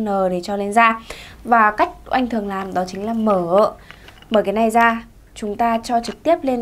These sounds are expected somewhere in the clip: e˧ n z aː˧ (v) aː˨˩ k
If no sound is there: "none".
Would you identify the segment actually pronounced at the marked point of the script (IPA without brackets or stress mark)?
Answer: v